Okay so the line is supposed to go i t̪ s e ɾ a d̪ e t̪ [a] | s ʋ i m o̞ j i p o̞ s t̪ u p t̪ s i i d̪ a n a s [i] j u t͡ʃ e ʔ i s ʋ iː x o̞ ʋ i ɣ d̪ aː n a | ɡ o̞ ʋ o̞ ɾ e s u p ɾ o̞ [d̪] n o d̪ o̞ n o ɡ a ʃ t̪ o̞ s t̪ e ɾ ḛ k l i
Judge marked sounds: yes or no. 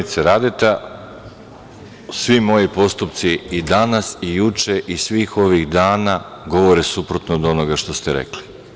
yes, yes, no

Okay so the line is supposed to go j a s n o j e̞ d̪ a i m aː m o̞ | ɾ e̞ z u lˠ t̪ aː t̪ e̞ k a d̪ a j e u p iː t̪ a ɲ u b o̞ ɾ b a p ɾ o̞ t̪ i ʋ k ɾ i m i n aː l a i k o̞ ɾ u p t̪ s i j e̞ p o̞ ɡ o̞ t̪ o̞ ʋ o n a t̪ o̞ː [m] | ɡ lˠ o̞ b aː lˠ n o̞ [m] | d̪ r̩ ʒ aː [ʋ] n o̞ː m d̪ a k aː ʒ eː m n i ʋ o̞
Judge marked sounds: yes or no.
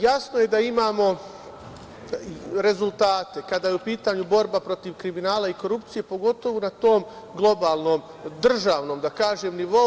yes, yes, yes

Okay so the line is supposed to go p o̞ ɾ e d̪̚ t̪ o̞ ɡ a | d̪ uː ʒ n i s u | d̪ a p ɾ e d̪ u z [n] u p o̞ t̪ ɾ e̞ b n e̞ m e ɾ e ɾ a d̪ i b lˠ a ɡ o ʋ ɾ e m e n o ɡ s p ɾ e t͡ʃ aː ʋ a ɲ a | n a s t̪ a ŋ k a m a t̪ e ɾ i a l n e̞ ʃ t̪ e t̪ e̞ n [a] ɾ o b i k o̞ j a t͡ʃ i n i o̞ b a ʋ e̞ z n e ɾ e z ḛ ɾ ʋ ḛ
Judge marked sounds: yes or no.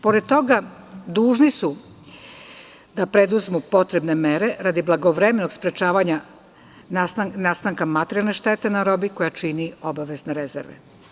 no, yes

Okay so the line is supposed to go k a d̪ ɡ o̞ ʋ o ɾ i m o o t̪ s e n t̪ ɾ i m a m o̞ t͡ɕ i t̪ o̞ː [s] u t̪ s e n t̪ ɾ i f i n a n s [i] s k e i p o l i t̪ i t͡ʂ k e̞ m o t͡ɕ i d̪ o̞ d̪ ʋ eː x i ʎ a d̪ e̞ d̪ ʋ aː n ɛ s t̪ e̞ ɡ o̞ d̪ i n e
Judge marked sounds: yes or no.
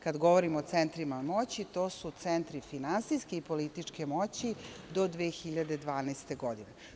yes, yes

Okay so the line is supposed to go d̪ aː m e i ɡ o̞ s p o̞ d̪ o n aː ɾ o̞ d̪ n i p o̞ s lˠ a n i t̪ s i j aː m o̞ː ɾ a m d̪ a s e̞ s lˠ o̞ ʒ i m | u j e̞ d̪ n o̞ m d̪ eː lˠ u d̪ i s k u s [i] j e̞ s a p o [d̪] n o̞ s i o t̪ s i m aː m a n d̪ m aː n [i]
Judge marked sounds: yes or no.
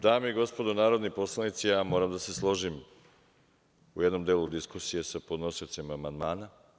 yes, yes, no

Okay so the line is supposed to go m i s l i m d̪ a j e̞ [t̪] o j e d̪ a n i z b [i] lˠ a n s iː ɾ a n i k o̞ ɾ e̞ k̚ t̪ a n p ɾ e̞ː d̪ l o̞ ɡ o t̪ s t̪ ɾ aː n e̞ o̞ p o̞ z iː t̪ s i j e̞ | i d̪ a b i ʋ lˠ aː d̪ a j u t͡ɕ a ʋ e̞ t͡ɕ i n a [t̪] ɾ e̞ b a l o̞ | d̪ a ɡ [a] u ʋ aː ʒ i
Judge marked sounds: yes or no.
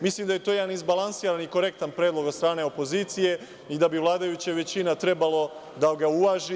yes, no, yes, yes

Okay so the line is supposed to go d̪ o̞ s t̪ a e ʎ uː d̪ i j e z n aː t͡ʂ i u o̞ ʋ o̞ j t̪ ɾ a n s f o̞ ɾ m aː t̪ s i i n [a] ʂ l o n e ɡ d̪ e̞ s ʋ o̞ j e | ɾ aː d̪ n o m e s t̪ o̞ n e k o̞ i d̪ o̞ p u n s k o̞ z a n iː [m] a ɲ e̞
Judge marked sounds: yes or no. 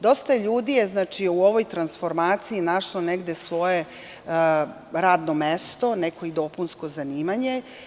yes, yes

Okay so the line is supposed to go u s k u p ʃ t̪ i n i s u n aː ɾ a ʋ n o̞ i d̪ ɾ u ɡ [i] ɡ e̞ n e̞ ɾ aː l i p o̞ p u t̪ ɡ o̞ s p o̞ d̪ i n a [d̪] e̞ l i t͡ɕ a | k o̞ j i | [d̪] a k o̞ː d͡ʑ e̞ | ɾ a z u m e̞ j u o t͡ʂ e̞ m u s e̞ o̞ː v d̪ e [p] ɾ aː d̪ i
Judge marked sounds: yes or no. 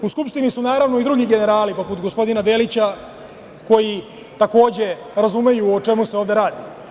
yes, yes, no, no

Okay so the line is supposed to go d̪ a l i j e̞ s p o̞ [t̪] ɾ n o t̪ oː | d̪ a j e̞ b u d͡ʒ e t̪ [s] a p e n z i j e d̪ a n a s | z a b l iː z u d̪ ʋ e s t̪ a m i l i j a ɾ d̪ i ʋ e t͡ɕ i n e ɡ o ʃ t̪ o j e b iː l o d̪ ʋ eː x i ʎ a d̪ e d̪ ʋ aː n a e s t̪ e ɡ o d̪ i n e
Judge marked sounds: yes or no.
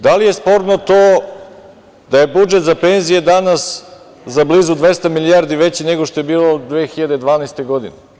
no, no

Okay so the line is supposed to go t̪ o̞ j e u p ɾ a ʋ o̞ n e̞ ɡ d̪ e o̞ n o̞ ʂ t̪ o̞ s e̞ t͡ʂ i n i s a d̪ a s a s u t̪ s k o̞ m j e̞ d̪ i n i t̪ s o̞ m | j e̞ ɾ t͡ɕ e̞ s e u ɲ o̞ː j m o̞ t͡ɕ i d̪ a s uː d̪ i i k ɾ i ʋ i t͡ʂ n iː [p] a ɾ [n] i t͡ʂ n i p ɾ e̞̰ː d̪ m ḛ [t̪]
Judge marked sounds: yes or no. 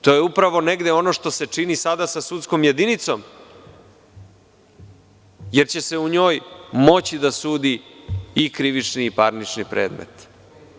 yes, yes, yes

